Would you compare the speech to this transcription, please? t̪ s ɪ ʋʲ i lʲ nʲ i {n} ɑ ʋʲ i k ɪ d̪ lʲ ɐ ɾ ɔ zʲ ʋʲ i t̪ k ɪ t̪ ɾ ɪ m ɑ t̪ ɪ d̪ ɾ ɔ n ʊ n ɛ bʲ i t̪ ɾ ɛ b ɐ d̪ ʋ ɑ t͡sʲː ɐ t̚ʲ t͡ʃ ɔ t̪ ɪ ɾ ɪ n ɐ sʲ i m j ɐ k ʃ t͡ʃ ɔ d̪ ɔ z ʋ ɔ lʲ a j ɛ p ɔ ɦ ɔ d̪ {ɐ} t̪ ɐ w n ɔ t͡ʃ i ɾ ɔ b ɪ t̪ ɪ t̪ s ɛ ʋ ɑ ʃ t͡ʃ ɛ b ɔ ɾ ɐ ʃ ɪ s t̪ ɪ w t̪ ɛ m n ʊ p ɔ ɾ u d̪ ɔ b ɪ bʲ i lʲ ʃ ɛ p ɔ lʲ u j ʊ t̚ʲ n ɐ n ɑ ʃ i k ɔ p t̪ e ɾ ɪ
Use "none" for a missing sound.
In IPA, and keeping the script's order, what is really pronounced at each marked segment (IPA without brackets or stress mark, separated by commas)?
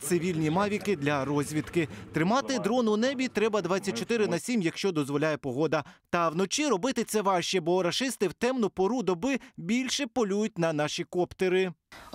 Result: m, ɐ